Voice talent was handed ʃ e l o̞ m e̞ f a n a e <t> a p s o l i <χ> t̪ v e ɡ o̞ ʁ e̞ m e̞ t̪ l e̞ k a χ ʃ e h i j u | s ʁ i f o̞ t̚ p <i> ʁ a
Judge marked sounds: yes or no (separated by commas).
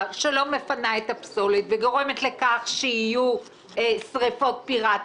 yes, no, yes